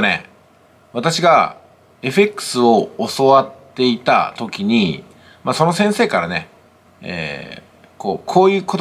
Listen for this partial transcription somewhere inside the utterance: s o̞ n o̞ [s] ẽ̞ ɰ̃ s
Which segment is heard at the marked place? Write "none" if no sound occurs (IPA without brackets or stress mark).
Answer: s